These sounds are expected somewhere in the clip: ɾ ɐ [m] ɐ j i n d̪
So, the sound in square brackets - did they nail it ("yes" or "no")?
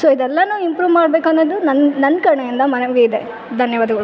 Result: no